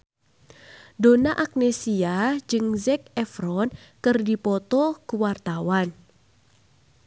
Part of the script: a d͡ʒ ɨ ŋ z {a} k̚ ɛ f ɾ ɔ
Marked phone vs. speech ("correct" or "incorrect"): incorrect